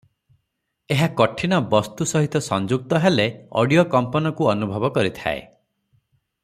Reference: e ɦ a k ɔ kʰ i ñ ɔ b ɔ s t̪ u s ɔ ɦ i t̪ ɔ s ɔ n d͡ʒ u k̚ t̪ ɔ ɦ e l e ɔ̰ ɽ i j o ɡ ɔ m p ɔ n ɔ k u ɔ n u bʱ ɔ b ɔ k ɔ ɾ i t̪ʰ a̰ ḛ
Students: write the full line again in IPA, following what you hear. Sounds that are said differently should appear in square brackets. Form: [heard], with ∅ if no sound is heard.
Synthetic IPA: e ɦ a k ɔ [ʈʰ] i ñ ɔ b ɔ s t̪ u s ɔ ɦ i t̪ ɔ s ɔ n d͡ʒ u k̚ t̪ ɔ ɦ e l e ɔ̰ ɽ i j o [k] ɔ m p ɔ n ɔ k u ɔ n u bʱ ɔ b ɔ k ɔ ɾ i t̪ʰ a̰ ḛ